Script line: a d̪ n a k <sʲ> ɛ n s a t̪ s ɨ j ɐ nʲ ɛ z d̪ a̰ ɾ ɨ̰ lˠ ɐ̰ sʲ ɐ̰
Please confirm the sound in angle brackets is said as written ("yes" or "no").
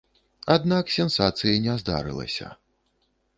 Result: yes